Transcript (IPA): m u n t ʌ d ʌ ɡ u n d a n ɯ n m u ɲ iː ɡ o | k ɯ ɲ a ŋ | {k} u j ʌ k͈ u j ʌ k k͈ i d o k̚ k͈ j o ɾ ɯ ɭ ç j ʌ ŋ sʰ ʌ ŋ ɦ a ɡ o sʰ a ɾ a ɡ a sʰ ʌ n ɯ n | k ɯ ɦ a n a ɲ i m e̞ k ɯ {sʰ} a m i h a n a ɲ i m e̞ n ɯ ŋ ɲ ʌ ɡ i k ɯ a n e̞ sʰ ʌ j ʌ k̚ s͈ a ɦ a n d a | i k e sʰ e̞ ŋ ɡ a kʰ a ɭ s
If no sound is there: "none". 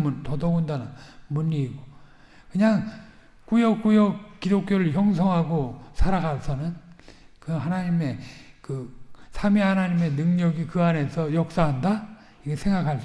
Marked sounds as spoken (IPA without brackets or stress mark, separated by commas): k, sʰ